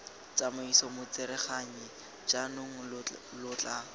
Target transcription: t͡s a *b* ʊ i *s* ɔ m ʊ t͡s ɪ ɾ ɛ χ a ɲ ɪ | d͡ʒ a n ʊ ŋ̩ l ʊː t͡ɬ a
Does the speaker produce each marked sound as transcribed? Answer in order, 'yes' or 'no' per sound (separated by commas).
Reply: no, yes